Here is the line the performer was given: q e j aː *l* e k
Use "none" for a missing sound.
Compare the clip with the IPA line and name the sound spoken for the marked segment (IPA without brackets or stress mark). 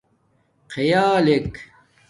l